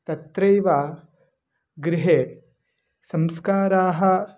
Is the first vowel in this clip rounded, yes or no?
no